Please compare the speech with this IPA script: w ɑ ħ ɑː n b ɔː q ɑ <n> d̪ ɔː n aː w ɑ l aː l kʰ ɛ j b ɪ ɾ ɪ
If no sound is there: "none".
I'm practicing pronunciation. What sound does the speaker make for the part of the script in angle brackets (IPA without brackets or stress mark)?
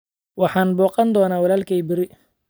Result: n